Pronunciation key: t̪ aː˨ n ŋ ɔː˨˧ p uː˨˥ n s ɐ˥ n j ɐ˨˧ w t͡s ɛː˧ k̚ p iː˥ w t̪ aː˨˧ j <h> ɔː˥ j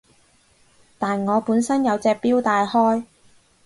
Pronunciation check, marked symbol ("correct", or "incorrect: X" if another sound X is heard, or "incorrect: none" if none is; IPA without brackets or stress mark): correct